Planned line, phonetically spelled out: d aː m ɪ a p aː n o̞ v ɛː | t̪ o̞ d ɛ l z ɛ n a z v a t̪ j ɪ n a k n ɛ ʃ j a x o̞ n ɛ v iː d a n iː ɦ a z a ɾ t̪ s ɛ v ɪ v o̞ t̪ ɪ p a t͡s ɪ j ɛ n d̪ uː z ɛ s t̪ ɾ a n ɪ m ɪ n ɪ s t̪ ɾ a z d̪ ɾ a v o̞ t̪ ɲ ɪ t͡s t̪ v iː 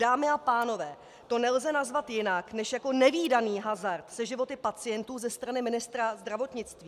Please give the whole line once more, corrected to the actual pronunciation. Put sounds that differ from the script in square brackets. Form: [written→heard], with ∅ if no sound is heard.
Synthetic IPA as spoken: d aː m ɪ a p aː n o̞ v ɛː | t̪ o̞ [d→n] ɛ l z ɛ n a z v a t̪ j ɪ n a k n ɛ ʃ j a [x→k] o̞ n ɛ v iː d a n iː ɦ a z a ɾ t̪ s ɛ [v→ʒ] ɪ v o̞ t̪ ɪ p a t͡s ɪ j ɛ n [d̪→t̪] uː z ɛ s t̪ ɾ a n ɪ m ɪ n ɪ s t̪ ɾ a z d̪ ɾ a v o̞ t̪ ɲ ɪ t͡s t̪ v iː